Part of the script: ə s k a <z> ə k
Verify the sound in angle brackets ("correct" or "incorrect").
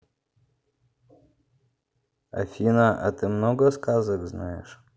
correct